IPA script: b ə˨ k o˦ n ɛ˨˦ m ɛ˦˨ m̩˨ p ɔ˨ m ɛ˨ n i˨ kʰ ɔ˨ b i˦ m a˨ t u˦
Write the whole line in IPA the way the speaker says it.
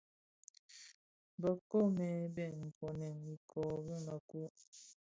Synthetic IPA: b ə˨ k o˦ m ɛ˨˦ b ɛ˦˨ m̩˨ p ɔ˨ n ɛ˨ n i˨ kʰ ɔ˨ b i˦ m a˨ k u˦